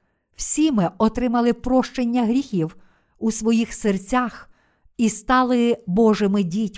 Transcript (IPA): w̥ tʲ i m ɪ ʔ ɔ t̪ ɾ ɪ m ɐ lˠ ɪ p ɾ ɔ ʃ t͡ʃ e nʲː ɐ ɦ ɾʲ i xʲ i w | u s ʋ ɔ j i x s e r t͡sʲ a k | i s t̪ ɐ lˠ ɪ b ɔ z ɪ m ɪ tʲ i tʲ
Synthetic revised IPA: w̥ sʲ i m ɪ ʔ ɔ t̪ ɾ ɪ m ɐ lˠ ɪ p ɾ ɔ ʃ t͡ʃ e nʲː ɐ ɦ ɾʲ i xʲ i w | u s ʋ ɔ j i x s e r t͡sʲ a x | i s t̪ ɑ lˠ ɪ b ɔ ʒ ɪ m ɪ dʲ i tʲ